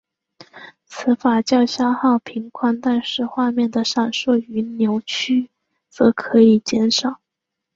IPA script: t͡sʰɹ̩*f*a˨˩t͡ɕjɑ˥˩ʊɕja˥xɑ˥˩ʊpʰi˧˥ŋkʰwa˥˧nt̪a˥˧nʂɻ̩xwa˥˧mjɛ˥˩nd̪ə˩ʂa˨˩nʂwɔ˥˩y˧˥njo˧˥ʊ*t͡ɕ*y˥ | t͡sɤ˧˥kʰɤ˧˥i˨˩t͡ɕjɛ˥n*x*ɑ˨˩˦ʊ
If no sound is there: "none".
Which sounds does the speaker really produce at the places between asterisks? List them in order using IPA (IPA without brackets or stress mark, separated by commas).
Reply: f, t͡ɕʰ, ʂ